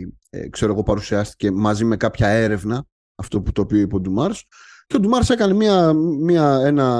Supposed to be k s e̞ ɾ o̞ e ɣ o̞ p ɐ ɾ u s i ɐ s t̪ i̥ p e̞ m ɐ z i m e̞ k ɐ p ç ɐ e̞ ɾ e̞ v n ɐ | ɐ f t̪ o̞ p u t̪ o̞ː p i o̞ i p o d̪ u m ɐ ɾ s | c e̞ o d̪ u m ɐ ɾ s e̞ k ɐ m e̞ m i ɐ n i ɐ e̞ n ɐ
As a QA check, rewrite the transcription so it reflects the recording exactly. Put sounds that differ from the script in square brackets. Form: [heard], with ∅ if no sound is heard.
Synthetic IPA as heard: k s e̞ ɾ o̞ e ɣ o̞ p ɐ ɾ u s i ɐ s t̪ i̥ [c] e̞ m ɐ z i m e̞ k ɐ p ç ɐ e̞ ɾ e̞ v n ɐ | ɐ f t̪ o̞ p u t̪ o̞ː p i o̞ i p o d̪ u m ɐ ɾ s | c e̞ o d̪ u m ɐ ɾ s e̞ k ɐ [n] e̞ m i ɐ [m] i ɐ e̞ n ɐ